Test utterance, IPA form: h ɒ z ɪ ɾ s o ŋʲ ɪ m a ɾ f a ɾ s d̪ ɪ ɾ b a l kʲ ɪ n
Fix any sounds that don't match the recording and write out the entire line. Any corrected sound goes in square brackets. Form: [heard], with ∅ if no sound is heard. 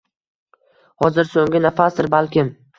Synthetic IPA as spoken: h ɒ z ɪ ɾ s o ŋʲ ɪ [n] a [∅] f a [∅] s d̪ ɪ ɾ b a l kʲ ɪ [m]